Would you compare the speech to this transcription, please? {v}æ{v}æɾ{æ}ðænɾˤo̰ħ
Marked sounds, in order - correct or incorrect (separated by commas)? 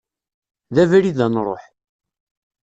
incorrect, correct, incorrect